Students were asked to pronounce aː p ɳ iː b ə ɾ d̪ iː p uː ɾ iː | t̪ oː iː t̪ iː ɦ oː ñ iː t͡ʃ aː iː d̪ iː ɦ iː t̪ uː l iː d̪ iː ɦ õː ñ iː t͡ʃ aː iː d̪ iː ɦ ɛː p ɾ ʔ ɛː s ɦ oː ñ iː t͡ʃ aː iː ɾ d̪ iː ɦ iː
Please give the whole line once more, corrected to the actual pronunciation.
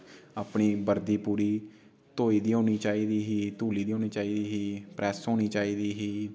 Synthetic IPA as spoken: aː p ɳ iː b ə ɾ d̪ iː p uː ɾ iː | t̪ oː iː d̪ iː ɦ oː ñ iː t͡ʃ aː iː d̪ iː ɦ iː t̪ uː l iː d̪ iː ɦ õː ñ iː t͡ʃ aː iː d̪ iː ɦ iː p ɾ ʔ ɛː s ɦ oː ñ iː t͡ʃ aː iː d̪ iː ɦ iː